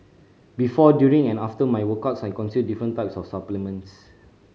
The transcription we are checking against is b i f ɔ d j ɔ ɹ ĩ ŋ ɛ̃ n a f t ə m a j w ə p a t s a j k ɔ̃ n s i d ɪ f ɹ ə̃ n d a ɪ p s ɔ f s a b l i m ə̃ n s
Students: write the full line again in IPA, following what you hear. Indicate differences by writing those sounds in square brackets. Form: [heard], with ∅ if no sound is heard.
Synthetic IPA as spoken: b i f ɔ d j [u] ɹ ĩ ŋ ɛ̃ n a f t ə m a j w ə [k] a t s a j k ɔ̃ n s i d [i] f ɹ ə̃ n [t] a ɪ p s ɔ f s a [p] l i m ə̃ n s